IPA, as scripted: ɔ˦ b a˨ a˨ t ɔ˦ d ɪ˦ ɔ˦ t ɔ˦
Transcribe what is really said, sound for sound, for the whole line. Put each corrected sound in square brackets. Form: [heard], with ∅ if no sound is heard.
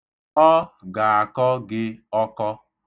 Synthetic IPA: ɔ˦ [ɡ] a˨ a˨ [k] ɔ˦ [ɡ] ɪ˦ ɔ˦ [k] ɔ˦